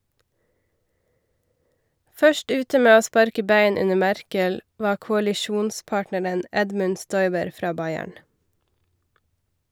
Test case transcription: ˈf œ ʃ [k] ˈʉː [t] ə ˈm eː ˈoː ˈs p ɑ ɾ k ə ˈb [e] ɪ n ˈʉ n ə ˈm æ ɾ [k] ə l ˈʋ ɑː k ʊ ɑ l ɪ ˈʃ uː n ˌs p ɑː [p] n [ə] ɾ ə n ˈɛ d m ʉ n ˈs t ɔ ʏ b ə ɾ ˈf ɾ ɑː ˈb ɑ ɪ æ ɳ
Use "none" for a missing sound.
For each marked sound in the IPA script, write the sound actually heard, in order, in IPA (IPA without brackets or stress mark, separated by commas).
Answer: ʈ, t, æ, k, ʈ, ə